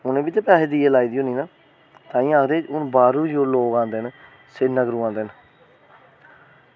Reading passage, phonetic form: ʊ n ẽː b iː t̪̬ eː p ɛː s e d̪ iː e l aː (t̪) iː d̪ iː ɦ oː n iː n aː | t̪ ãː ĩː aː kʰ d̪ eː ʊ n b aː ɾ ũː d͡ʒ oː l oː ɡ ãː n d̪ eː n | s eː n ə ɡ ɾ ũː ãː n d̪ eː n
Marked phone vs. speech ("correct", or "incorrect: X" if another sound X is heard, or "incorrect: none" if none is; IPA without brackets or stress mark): incorrect: none